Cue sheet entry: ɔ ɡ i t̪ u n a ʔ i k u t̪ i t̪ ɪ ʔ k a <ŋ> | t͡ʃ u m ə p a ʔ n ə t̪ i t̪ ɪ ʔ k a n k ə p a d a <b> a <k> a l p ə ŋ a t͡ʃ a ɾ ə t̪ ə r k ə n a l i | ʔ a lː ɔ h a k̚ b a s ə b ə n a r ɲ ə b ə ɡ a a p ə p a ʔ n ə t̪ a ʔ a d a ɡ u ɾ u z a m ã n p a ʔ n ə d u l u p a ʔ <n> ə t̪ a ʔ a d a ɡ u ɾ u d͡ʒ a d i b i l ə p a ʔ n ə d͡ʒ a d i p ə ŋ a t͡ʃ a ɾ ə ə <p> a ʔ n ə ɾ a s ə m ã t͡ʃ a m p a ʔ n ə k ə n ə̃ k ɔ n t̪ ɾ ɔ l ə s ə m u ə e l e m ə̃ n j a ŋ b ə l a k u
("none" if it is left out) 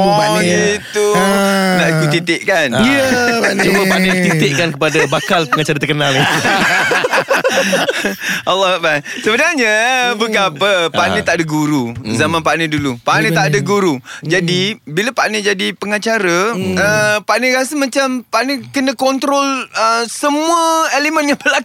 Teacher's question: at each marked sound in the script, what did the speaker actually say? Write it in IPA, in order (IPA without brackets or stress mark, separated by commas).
n, b, k, n, p